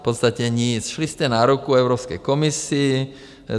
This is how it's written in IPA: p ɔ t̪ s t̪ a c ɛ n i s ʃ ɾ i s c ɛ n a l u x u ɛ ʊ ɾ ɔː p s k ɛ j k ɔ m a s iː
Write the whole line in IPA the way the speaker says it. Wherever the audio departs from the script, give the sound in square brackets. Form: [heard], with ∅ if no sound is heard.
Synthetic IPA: p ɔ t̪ s t̪ a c ɛ [ɲ] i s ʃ [l] i s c ɛ n a [ɾ] u [k] u ɛ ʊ ɾ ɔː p s k ɛ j k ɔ m [i] s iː